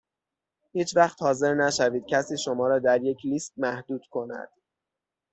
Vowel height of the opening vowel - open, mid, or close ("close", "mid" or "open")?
close